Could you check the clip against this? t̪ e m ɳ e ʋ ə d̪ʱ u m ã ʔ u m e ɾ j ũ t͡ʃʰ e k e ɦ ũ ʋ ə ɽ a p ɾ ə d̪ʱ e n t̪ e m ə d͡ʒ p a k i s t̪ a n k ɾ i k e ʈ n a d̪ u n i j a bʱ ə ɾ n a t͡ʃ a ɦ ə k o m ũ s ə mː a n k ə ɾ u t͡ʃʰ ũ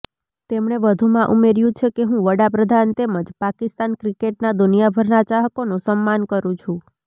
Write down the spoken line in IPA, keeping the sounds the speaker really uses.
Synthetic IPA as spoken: t̪ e m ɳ e ʋ ə d̪ʱ u m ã ʔ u m e ɾ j ũ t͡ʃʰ e k e ɦ ũ ʋ ə ɽ a p ɾ ə d̪ʱ a n t̪ e m ə d͡ʒ p a k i s t̪ a n k ɾ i k e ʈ n a d̪ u n i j a bʱ ə ɾ n a t͡ʃ a ɦ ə k o n ũ s ə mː a n k ə ɾ ũ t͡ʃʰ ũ